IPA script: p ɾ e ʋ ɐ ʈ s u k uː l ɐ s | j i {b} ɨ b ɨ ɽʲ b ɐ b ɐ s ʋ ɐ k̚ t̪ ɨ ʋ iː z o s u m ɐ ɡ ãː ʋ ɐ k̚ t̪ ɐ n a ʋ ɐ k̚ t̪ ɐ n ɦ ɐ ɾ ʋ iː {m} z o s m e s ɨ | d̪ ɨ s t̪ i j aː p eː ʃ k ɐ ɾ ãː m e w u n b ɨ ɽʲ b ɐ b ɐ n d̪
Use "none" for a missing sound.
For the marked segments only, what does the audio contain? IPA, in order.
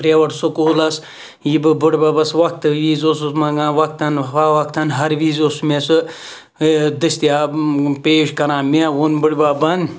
b, none

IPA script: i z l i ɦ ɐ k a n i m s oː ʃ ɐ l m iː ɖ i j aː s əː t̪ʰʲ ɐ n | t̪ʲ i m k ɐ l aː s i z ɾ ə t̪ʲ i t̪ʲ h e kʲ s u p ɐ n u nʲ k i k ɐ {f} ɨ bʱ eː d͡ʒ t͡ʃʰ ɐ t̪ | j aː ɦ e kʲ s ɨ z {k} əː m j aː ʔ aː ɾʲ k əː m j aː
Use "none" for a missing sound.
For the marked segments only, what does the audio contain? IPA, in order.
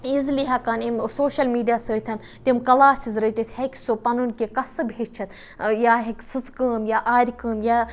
s, k

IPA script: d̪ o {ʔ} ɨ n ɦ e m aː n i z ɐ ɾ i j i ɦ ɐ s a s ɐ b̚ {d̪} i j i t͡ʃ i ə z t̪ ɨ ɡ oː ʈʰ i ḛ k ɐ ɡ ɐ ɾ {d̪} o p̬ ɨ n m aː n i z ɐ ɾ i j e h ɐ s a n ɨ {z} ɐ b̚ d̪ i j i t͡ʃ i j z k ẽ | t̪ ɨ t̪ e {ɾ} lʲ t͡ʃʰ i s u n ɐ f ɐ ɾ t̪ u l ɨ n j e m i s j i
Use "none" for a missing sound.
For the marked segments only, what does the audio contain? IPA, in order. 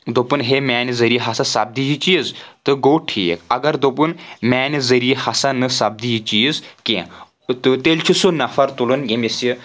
p, d̪, d̪, s, none

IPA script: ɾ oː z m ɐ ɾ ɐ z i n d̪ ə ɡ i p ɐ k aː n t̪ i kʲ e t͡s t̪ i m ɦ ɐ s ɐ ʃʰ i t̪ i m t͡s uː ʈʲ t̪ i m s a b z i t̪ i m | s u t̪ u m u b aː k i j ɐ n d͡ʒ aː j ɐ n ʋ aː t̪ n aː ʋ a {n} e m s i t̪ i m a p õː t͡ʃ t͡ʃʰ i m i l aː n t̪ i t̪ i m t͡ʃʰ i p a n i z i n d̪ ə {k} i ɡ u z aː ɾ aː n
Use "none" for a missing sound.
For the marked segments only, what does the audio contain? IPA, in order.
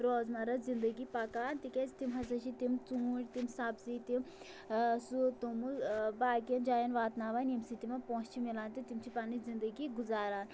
n, ɡ

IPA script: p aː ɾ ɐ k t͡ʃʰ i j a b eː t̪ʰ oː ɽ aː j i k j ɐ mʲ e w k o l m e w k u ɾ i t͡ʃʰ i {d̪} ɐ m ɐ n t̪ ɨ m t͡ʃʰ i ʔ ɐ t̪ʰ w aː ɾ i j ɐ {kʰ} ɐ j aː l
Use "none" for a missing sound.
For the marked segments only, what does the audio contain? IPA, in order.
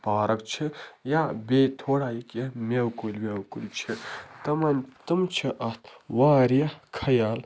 t̪, kʰ

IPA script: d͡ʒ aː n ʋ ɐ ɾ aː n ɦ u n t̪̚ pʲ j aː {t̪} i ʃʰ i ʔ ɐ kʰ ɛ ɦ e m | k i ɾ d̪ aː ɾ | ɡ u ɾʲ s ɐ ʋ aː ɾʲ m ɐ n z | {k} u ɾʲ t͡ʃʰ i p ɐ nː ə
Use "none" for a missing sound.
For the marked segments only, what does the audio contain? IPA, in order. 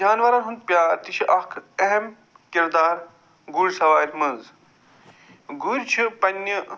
t̪, ɡ

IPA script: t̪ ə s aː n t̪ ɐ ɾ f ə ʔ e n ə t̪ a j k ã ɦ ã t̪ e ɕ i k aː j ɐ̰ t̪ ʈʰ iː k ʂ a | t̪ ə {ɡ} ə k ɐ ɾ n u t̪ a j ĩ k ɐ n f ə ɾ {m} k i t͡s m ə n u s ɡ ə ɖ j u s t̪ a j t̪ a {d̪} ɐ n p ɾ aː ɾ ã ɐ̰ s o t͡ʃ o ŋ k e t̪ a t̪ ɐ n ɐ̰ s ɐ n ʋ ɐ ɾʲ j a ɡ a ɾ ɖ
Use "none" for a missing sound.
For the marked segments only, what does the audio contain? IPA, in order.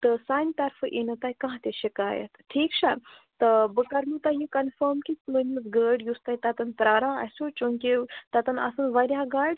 b, m, t̪

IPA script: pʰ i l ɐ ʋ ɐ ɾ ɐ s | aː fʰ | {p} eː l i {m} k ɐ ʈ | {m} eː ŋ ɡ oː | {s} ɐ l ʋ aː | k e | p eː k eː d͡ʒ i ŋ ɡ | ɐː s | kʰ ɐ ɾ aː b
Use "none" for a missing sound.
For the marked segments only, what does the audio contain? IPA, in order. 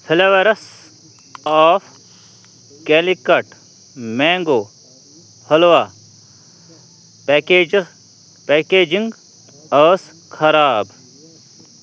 k, none, m, h

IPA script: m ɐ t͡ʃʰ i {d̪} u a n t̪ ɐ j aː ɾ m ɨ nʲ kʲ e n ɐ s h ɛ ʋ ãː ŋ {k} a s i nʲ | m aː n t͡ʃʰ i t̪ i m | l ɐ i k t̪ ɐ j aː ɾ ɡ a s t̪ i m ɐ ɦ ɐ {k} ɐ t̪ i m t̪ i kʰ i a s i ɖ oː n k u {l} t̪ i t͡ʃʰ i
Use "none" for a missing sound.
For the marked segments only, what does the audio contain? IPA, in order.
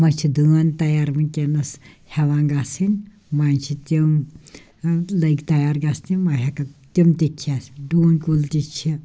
d̪, ɡ, k, l

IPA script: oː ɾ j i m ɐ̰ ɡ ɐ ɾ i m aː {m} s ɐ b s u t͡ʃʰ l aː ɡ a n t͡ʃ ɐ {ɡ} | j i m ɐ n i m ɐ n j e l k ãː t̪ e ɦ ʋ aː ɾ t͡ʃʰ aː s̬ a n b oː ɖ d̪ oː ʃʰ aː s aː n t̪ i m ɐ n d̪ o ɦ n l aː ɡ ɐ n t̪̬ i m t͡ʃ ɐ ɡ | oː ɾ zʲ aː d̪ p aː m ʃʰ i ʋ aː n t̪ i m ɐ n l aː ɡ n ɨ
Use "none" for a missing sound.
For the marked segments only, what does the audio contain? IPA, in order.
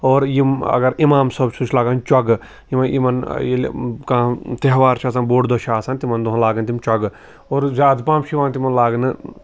m, ɡ

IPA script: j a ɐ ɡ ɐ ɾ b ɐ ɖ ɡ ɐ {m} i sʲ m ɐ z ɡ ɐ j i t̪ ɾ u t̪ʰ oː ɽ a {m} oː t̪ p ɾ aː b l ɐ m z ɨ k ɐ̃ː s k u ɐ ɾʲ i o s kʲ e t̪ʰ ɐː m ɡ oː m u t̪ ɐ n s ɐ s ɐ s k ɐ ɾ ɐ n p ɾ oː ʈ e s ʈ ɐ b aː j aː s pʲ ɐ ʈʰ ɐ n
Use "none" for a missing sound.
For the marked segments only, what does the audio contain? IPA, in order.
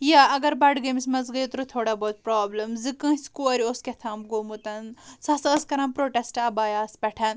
m, b

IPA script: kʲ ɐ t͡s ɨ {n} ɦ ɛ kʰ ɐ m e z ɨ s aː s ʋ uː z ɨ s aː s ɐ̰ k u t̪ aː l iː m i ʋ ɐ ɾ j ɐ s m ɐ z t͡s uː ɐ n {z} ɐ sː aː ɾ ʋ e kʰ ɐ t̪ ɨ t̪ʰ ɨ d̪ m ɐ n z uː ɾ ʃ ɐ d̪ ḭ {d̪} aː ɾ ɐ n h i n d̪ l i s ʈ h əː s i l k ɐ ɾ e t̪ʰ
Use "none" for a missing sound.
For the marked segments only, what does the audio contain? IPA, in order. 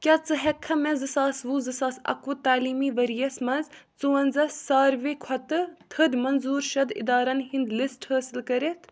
none, z, d̪

